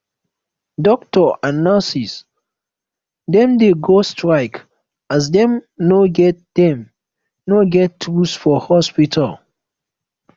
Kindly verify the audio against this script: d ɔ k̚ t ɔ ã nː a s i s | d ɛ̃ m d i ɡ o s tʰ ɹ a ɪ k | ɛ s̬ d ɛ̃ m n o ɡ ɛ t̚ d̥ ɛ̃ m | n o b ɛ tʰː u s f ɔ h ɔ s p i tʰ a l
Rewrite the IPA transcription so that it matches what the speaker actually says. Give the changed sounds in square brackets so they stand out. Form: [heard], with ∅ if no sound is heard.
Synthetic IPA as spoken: d ɔ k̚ t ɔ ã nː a s i s | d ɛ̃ m d [e] ɡ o s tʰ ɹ a ɪ k | [a] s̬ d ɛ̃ m n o ɡ ɛ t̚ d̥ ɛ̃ m | n o [ɡ] ɛ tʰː u s f ɔ h ɔ s p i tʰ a l